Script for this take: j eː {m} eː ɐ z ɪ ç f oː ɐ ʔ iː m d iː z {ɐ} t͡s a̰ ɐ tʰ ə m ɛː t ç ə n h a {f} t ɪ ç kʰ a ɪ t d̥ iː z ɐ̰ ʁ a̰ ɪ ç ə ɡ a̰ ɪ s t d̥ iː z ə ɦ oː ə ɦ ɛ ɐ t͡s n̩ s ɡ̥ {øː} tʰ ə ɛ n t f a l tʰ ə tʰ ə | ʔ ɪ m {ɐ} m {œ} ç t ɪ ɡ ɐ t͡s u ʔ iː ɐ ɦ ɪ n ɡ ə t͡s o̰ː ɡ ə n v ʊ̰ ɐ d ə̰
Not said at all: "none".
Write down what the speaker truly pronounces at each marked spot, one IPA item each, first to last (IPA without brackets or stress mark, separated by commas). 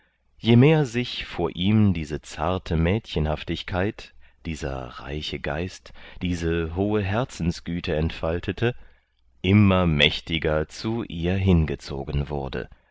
m, ə, f, yː, ɐ, ɛ